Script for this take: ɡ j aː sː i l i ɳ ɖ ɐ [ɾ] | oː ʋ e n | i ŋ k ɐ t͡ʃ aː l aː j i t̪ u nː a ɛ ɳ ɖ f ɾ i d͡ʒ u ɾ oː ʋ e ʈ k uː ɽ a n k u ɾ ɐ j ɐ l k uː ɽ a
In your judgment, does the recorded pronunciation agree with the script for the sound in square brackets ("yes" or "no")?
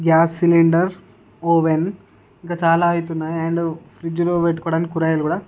yes